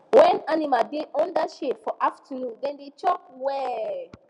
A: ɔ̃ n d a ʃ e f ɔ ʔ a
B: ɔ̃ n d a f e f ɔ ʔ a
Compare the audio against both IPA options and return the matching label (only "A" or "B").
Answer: A